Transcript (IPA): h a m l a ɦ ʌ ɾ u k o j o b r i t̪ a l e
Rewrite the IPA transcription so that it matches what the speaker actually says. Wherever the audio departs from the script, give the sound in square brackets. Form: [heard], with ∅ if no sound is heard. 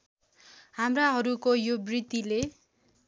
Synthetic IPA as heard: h a m [r] a ɦ ʌ ɾ u k o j o b r i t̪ [i] l e